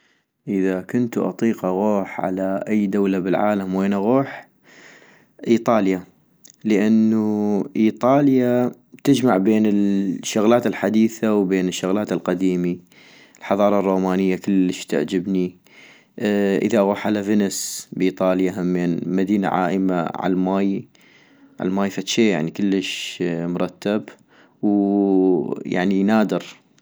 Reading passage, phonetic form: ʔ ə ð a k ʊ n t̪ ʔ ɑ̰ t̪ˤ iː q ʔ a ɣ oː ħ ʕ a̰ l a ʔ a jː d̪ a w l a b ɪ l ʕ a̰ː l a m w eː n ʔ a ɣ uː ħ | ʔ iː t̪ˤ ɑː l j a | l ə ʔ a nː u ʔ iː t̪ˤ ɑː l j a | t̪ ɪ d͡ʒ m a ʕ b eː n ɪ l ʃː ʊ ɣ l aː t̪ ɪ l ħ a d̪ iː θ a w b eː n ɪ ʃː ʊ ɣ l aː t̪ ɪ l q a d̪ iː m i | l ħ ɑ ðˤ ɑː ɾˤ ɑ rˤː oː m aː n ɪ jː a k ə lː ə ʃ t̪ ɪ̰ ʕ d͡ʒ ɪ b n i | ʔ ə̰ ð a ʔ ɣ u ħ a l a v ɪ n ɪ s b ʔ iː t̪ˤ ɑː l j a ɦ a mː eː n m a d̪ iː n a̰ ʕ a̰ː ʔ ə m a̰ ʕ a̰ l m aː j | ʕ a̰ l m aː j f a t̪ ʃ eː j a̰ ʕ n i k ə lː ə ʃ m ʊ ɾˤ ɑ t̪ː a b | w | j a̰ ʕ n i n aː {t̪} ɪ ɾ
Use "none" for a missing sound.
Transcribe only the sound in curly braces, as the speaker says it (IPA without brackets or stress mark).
d̪